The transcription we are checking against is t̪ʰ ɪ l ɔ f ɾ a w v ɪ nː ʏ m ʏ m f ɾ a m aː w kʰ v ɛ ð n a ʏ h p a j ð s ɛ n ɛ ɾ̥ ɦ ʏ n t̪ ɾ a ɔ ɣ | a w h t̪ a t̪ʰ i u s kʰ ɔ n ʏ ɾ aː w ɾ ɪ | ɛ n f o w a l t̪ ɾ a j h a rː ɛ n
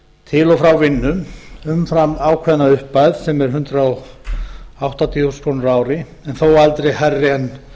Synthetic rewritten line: t̪ʰ ɪ l ɔ f ɾ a w v ɪ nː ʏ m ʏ m f ɾ a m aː w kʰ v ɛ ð n a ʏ h p a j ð s ɛ m ɛ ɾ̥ ɦ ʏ n t̪ ɾ a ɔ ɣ | a w h t̪ a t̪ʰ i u s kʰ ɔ n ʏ ɾ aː w ɾ ɪ | ɛ n θ o w a l t̪ ɾ e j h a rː ɛ n